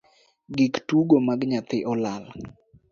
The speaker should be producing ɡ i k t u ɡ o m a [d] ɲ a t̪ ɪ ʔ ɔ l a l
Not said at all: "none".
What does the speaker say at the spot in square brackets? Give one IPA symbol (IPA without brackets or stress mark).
ɡ